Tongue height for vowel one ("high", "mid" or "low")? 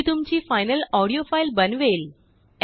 high